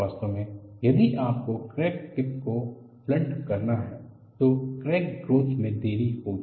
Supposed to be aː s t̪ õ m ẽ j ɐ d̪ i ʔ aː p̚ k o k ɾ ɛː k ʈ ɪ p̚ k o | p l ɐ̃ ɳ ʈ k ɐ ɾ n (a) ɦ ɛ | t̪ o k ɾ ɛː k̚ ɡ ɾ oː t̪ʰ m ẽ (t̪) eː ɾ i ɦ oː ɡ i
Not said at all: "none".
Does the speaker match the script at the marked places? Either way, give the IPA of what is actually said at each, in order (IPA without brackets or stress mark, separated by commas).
a, d̪